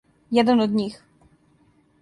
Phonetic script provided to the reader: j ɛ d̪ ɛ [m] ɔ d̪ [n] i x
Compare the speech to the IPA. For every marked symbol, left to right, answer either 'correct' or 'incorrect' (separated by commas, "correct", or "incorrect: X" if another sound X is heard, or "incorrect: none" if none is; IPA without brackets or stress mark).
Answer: incorrect: n, incorrect: ɲ